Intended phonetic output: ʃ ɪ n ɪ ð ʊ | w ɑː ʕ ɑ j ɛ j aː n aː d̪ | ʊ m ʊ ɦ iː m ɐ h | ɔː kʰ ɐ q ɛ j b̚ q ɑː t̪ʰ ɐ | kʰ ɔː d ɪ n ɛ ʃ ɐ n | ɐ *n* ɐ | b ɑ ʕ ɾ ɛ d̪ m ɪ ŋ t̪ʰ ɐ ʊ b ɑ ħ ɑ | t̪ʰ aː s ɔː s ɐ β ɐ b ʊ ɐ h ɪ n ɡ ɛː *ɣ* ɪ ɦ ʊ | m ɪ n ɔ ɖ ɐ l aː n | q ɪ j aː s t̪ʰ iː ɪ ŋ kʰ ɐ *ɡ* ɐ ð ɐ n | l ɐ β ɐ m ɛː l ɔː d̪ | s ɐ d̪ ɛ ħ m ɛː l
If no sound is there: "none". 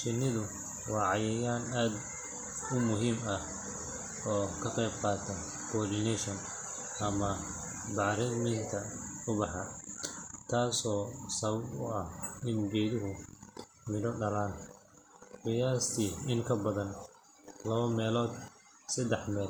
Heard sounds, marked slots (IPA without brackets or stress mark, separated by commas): m, ð, b